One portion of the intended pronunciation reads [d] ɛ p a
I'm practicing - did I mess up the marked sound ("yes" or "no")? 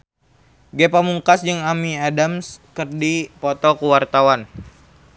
yes